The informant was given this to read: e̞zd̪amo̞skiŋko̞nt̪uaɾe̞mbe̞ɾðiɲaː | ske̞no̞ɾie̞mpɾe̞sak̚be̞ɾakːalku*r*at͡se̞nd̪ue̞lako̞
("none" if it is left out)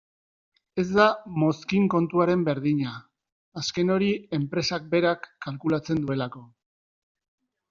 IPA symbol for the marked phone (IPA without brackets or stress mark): l